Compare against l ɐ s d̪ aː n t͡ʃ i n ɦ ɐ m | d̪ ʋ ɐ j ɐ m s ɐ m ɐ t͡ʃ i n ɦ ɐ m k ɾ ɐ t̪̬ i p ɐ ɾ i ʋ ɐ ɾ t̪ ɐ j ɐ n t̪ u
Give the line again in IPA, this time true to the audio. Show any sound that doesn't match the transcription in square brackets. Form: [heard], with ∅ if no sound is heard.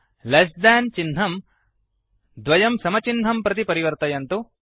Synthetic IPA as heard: l ɐ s d̪ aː n t͡ʃ i n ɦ ɐ m | d̪ ʋ ɐ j ɐ m s ɐ m ɐ t͡ʃ i n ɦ ɐ m [p] ɾ ɐ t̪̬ i p ɐ ɾ i ʋ ɐ ɾ t̪ ɐ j ɐ n t̪ u